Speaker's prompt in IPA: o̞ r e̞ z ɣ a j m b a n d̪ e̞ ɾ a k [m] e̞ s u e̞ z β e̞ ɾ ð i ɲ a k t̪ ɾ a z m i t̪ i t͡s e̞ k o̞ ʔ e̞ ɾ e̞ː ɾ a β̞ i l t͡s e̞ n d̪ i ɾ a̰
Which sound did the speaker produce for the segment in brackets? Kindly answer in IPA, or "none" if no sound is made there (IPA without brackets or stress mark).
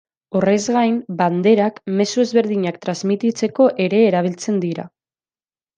m